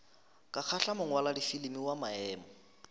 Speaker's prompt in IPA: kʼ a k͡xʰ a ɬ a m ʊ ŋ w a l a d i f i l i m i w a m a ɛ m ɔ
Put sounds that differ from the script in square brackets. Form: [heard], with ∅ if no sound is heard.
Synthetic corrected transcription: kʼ a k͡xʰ a ɬ a m ʊ ŋ w a l a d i f i l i m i w a m a [ɛː] m ɔ